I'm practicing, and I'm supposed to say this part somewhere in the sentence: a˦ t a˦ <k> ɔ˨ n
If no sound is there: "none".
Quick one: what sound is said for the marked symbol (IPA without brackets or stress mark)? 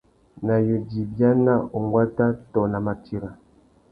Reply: t